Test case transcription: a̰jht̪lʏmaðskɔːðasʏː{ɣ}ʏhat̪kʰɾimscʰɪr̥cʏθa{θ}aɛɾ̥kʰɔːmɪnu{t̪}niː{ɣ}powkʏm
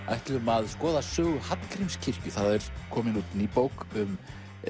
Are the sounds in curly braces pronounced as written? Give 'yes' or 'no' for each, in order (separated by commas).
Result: yes, no, yes, no